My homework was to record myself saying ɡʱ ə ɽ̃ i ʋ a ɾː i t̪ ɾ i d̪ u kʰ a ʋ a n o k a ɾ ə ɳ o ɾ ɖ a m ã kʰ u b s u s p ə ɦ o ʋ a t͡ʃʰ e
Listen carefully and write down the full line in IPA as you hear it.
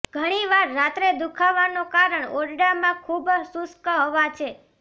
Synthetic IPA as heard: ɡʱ ə ɽ̃ i ʋ a ɾː a t̪ ɾ e d̪ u kʰ a ʋ a n o k a ɾ ə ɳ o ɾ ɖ a m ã kʰ u b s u s k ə ɦ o ʋ a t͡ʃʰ e

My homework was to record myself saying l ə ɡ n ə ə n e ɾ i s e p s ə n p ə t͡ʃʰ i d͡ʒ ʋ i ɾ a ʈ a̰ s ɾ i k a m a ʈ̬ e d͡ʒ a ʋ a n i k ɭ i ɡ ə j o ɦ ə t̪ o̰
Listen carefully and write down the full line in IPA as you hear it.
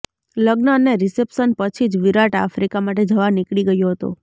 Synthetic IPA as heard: l ə ɡ n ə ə n e ɾ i s e p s ə n p ə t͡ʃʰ i d͡ʒ ʋ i ɾ a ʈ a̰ f ɾ i k a m a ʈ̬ e d͡ʒ ə ʋ a n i k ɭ i ɡ ə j o ɦ ə t̪ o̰

